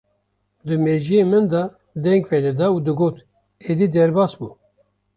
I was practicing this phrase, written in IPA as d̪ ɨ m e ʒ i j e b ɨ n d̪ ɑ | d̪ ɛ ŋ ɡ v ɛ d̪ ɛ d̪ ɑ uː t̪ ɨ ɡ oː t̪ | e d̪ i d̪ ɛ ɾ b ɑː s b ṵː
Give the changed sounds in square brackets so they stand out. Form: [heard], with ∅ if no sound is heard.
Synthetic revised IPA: d̪ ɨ m e ʒ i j e [m] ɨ n d̪ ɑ | d̪ ɛ ŋ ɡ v ɛ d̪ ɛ d̪ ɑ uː [d̪] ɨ ɡ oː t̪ | e d̪ i d̪ ɛ ɾ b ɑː s b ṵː